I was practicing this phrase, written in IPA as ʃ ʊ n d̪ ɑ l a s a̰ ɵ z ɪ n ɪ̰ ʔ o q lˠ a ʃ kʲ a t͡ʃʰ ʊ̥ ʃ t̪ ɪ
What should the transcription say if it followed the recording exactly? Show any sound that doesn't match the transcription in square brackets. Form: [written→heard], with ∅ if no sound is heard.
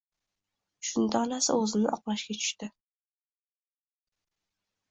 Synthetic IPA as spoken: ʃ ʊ n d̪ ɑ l a s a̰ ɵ z ɪ n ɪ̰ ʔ [o→ɒ] q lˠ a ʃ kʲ a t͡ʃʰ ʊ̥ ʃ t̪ ɪ